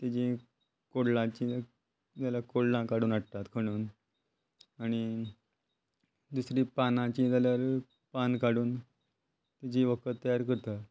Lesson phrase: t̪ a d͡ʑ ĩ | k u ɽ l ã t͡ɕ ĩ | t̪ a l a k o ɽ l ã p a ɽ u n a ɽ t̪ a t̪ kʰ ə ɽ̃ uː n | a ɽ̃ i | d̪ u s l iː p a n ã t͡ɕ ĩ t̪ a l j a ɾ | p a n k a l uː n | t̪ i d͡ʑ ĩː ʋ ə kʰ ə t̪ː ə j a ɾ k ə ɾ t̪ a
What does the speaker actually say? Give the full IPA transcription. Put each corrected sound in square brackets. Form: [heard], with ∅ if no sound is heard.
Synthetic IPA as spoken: t̪ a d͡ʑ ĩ | k [o] ɽ l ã t͡ɕ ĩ | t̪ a l a k o ɽ l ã [k] a ɽ [uː] n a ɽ t̪ a t̪ kʰ ə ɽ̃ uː n | a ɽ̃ i | d̪ u s [ɾ] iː p a n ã t͡ɕ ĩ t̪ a l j a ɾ | p a n k a [ɽ] uː n | t̪ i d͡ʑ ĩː ʋ ə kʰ ə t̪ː ə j a ɾ k ə ɾ t̪ a